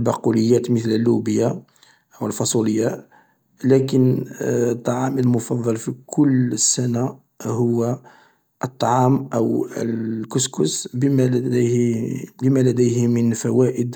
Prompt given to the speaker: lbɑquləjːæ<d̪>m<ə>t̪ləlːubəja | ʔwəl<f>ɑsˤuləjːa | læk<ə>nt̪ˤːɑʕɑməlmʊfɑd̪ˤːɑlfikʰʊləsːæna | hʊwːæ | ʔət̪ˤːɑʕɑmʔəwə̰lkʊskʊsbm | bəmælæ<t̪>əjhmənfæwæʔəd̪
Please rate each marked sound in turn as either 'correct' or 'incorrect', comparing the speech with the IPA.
incorrect: t̪, correct, correct, correct, incorrect: d̪

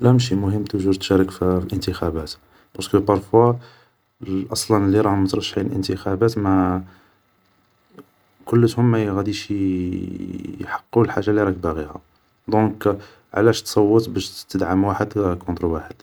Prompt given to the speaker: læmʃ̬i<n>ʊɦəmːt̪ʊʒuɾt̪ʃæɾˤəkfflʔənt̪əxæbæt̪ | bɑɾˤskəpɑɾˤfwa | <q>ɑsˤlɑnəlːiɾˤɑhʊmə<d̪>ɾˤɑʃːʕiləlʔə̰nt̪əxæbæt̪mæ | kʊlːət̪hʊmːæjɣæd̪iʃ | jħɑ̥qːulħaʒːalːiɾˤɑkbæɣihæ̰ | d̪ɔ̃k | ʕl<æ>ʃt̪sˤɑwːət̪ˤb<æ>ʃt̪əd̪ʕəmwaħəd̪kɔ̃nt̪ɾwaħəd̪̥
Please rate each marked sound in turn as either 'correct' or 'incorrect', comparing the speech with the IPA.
incorrect: m, incorrect: ʔ, incorrect: t̪, correct, correct

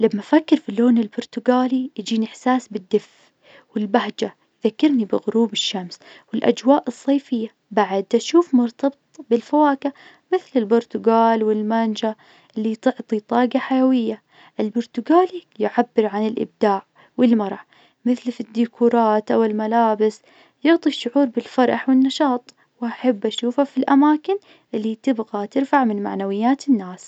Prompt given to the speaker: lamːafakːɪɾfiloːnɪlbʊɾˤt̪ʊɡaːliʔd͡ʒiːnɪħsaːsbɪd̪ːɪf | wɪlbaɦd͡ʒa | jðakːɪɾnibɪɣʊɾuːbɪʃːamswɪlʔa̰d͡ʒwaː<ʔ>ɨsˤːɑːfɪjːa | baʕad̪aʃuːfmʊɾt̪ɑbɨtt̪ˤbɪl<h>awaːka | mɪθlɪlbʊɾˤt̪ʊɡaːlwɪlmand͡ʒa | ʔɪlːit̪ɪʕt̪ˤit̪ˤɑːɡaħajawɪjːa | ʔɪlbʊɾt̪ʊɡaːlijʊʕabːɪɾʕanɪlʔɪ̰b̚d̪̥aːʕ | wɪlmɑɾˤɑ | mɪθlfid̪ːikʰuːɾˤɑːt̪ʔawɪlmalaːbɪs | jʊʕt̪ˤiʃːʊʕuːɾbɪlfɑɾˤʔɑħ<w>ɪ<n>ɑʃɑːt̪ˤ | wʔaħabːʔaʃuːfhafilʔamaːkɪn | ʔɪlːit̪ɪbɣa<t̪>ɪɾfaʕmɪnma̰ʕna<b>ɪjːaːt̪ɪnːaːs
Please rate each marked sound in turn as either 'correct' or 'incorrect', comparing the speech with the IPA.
correct, incorrect: f, correct, incorrect: nː, correct, incorrect: w

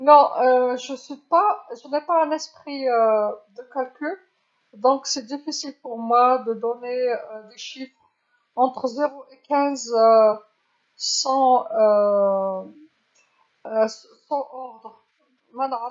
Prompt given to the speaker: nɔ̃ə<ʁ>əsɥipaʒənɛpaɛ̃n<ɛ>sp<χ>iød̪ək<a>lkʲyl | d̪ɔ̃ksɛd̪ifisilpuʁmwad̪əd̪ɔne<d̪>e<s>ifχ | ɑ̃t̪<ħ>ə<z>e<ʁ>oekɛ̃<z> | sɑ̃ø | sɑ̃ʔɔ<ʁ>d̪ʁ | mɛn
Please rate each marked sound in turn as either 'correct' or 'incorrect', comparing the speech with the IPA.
incorrect: ʒ, correct, correct, correct, correct, incorrect: ʃ, incorrect: χ, correct, correct, correct, correct

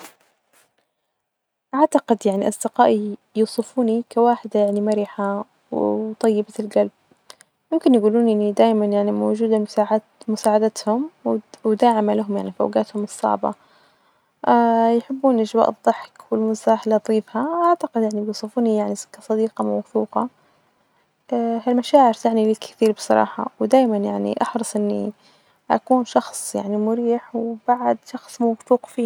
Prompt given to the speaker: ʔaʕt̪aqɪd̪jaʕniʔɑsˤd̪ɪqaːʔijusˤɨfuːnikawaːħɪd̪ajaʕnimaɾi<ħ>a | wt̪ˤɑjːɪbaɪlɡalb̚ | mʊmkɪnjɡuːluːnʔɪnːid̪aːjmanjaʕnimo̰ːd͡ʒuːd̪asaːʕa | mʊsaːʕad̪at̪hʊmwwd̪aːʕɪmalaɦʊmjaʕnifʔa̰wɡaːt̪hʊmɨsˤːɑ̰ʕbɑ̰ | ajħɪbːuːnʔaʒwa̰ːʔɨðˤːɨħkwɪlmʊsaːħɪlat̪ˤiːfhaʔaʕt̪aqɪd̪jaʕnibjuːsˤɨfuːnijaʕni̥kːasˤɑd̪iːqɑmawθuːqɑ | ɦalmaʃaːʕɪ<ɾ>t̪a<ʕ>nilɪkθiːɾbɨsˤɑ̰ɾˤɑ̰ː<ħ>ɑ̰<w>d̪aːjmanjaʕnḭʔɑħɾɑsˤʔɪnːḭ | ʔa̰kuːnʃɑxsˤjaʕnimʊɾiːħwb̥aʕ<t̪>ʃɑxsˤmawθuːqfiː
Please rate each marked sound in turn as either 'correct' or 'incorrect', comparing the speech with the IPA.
correct, correct, correct, correct, correct, incorrect: d̪

